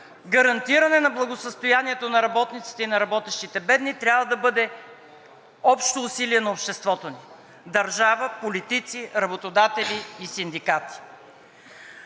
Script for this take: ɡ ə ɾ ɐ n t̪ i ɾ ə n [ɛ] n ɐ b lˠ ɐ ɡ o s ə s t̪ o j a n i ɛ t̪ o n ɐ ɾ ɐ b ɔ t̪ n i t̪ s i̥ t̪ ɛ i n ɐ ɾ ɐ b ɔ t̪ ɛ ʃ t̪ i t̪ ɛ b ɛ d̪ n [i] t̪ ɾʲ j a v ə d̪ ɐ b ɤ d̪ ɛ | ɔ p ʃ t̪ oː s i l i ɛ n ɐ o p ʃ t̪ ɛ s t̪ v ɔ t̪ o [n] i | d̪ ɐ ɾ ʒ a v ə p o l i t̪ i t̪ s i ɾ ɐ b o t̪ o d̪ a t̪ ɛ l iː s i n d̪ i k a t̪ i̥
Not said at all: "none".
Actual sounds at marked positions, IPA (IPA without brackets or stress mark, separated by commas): ɛ, i, n